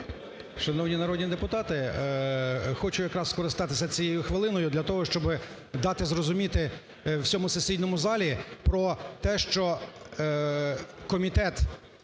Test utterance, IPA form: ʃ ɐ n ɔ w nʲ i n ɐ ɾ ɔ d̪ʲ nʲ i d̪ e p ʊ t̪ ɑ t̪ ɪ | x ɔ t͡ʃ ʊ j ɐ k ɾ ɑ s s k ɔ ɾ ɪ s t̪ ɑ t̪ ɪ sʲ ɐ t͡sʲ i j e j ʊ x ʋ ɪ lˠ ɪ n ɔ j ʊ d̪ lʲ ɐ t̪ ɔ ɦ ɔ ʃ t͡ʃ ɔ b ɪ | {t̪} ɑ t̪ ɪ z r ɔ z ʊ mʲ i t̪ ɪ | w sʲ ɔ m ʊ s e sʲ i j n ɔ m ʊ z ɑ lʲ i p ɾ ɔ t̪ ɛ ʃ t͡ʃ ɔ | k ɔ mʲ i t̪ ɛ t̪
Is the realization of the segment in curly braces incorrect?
yes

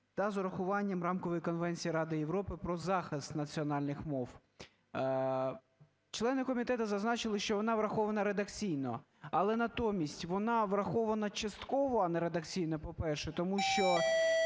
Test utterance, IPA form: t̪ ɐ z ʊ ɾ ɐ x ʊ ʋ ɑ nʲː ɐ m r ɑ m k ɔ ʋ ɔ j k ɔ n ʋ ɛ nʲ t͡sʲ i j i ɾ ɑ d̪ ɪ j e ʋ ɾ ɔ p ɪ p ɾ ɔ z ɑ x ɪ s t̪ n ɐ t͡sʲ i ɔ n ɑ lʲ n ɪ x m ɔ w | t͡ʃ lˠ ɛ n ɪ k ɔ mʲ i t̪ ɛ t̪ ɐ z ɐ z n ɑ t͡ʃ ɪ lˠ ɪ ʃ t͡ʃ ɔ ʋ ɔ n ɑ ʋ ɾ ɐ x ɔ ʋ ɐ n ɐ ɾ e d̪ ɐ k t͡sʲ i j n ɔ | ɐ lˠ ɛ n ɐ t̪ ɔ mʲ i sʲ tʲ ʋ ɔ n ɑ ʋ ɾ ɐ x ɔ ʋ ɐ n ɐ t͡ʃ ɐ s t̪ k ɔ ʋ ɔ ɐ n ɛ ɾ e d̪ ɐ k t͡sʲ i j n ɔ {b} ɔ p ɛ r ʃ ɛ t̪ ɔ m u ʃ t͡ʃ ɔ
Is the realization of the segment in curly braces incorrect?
yes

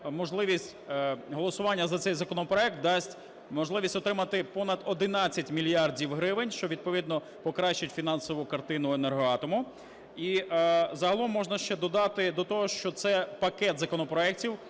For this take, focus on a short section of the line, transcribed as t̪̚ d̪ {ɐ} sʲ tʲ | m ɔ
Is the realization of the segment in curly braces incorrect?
yes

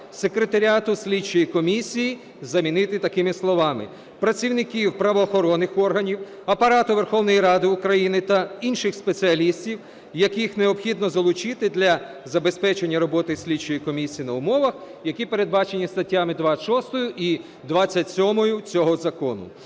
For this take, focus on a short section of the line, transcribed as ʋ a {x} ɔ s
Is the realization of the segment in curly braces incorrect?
yes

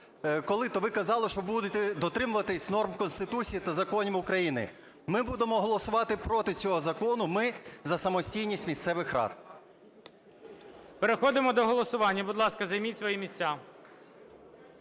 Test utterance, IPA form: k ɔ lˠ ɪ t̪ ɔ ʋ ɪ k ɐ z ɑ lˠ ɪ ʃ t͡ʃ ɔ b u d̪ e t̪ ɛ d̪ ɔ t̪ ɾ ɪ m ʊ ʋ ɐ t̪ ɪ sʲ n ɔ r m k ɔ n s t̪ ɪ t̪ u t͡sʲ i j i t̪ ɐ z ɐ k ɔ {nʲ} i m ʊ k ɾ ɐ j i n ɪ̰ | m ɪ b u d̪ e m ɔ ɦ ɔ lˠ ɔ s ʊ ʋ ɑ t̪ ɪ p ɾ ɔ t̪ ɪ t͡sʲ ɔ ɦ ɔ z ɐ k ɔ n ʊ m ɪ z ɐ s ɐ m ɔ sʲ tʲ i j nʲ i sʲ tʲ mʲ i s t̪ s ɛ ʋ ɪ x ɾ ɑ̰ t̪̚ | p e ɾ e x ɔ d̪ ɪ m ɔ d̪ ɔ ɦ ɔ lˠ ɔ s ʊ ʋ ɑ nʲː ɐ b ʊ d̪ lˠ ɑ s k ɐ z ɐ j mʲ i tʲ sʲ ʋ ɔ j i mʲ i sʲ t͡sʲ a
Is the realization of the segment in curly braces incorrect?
no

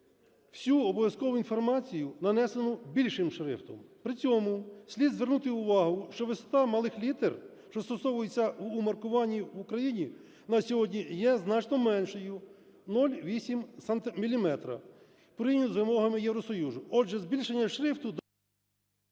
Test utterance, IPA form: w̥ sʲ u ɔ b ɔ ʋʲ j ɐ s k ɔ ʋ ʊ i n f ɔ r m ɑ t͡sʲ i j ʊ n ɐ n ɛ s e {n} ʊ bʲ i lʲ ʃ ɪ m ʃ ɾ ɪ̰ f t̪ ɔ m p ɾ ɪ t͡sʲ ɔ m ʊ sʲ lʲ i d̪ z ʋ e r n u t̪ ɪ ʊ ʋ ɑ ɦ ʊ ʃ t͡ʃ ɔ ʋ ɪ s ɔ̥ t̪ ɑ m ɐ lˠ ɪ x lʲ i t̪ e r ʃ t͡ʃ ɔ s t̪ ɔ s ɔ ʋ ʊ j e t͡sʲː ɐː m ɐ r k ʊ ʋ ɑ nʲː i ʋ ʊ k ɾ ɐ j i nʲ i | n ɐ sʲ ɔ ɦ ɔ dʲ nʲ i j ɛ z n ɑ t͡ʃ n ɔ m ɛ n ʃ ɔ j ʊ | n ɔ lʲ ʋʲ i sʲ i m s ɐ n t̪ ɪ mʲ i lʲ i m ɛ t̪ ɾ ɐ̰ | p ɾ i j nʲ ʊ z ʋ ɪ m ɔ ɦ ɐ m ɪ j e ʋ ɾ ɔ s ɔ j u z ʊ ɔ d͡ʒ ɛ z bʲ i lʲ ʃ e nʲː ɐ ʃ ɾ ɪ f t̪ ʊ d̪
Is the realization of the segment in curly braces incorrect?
no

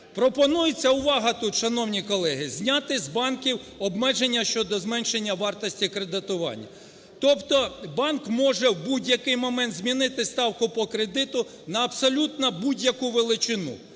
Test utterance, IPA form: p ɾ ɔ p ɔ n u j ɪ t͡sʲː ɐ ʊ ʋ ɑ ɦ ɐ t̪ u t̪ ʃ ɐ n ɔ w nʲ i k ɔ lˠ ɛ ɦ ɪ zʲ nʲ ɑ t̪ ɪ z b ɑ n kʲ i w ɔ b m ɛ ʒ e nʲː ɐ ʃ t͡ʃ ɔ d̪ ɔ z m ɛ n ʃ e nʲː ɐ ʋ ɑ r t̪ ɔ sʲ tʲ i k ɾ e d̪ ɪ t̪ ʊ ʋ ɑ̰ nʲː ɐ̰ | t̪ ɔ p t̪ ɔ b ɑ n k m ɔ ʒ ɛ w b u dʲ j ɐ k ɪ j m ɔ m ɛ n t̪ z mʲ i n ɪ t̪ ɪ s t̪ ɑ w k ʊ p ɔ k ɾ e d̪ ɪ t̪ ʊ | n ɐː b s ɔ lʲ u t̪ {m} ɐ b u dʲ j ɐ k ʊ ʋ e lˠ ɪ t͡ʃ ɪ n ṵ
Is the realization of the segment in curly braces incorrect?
yes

